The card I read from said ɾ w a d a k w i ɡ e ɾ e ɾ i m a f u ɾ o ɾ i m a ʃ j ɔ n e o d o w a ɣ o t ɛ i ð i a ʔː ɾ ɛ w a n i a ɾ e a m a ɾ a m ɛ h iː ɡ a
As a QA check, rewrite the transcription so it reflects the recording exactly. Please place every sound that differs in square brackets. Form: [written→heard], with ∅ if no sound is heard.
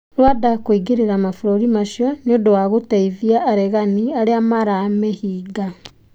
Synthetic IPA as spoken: ɾ w a d a k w i ɡ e ɾ e ɾ [i→a] m a f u ɾ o ɾ i m a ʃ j ɔ n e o d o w a ɣ o t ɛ i ð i a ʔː ɾ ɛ [w→ɣ] a n i a ɾ e a m a ɾ a m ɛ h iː ɡ a